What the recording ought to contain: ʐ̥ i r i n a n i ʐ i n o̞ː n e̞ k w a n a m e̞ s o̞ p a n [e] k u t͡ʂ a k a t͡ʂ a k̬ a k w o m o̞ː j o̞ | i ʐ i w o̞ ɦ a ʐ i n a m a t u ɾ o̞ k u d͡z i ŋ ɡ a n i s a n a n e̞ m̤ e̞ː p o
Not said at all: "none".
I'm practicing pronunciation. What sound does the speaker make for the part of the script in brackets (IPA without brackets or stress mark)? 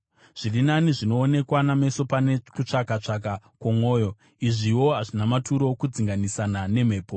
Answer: e